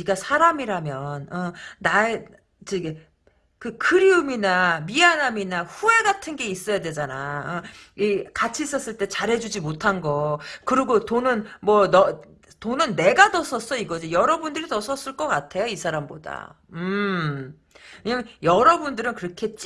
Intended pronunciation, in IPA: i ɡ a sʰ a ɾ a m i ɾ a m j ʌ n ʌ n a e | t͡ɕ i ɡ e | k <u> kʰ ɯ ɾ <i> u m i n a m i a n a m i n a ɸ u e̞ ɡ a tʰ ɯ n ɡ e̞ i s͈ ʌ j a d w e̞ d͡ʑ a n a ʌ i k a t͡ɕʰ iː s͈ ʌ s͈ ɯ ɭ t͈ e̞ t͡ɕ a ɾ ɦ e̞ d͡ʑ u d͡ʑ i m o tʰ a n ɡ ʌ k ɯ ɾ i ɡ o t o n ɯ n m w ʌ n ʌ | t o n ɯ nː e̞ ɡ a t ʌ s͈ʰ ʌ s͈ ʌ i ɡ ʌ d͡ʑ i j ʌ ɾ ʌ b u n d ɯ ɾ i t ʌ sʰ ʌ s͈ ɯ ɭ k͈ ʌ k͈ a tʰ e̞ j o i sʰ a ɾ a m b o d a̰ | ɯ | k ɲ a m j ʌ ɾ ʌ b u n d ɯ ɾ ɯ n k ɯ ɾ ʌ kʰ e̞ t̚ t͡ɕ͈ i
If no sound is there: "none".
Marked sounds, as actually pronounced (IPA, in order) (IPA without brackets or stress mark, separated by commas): ɯ, i